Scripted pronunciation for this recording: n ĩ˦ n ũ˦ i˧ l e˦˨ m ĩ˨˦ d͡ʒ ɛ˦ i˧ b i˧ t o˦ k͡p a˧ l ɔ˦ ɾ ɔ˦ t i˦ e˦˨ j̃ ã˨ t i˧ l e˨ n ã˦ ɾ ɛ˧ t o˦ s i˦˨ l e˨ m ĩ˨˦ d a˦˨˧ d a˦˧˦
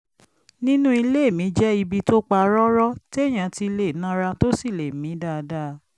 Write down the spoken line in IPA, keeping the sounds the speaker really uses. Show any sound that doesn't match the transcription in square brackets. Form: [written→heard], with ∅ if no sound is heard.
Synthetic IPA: n ĩ˦ n ũ˦ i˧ l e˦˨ m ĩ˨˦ d͡ʒ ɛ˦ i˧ b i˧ t o˦ k͡p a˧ [l→ɾ] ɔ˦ ɾ ɔ˦ t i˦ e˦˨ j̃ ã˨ t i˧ l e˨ n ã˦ ɾ [ɛ˧→a˧] t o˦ s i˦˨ l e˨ m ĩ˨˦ d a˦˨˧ d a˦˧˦